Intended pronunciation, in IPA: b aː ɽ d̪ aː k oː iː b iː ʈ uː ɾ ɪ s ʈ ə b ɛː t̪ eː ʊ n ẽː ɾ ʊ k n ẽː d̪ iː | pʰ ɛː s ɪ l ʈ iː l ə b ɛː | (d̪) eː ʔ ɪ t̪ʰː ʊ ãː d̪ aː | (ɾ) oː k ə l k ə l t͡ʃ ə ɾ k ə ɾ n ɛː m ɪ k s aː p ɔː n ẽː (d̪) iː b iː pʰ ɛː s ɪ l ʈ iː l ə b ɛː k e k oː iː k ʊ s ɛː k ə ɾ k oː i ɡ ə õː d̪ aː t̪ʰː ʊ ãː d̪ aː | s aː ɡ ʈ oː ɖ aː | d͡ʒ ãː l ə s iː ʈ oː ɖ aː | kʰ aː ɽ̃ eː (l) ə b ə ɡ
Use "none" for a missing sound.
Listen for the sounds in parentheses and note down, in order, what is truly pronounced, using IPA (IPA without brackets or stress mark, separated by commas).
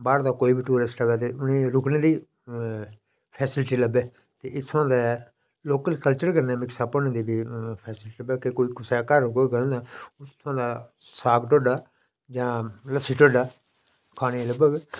t̪, l, d̪, l